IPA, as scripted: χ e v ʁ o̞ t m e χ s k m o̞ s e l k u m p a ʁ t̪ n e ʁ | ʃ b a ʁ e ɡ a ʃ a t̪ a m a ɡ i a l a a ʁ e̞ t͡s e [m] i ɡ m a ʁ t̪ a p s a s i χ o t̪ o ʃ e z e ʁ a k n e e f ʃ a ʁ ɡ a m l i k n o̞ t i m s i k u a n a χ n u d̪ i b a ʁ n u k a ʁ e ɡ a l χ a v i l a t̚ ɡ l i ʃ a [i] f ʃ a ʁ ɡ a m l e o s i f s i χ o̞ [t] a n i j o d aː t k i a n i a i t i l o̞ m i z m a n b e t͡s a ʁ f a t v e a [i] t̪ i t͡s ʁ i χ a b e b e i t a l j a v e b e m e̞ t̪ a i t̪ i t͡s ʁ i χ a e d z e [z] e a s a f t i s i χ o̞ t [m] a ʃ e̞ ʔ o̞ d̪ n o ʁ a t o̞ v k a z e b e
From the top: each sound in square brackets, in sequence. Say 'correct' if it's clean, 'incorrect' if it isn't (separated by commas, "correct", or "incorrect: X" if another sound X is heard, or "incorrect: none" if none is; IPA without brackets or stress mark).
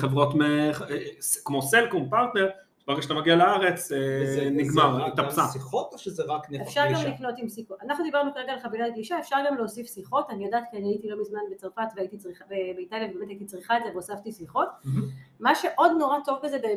incorrect: n, incorrect: e, correct, correct, incorrect: v, correct